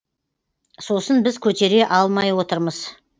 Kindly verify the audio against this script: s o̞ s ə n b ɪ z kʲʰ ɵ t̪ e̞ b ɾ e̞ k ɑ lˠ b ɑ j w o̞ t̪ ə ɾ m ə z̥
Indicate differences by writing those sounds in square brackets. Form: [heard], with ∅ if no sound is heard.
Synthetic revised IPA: s o̞ s ə n b ɪ z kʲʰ ɵ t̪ e̞ [∅] ɾ e̞ [ʔ] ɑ lˠ [m] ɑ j w o̞ t̪ ə ɾ m ə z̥